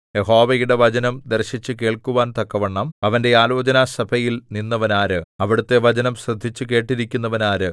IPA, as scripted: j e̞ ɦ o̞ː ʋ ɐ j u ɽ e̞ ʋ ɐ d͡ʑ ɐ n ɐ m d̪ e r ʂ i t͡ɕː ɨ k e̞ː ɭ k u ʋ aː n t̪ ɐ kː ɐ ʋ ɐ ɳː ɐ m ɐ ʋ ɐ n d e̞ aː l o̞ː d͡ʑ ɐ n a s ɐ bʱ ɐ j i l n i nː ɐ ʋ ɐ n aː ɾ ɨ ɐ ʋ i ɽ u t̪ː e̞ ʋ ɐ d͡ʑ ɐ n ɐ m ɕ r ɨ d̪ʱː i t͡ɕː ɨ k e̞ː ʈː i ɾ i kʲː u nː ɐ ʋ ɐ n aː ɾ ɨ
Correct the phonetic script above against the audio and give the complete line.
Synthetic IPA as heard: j e̞ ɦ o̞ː ʋ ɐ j u ɽ e̞ ʋ ɐ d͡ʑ ɐ n ɐ m d̪ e r ɕ i t͡ɕː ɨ k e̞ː ɭ k u ʋ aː n t̪ ɐ kː ɐ ʋ ɐ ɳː ɐ m ɐ ʋ ɐ n d e̞ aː l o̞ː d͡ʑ ɐ n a s ɐ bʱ ɐ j i l n i nː ɐ ʋ ɐ n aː ɾ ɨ ɐ ʋ i ɽ u t̪ː e̞ ʋ ɐ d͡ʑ ɐ n ɐ m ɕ r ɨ d̪ʱː i t͡ɕː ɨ k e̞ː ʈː i ɾ i kʲː u nː ɐ ʋ ɐ n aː ɾ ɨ